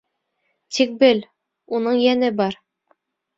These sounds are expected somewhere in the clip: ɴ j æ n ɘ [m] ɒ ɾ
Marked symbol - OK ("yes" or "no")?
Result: no